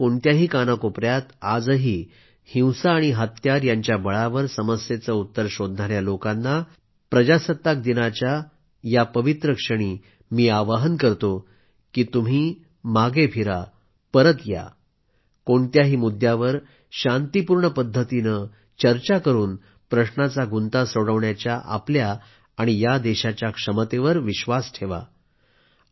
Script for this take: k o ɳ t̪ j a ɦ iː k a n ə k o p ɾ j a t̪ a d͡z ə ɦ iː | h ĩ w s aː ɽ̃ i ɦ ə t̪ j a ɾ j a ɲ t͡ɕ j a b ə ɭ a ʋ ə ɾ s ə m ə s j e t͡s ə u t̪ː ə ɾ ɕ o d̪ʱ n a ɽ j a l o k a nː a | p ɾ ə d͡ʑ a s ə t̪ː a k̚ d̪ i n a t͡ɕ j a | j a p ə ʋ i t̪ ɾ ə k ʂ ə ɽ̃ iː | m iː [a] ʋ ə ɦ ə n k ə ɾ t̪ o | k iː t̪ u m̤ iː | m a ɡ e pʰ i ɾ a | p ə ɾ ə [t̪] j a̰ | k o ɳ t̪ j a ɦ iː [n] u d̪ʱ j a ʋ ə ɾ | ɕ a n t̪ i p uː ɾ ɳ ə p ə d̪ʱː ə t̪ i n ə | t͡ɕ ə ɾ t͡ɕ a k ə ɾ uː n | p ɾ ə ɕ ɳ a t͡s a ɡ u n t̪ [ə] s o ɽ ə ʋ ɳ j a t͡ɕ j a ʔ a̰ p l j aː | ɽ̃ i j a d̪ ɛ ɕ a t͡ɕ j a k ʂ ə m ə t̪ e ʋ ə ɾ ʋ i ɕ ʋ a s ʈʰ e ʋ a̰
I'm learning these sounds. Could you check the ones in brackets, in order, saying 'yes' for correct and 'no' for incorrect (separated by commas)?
yes, yes, no, no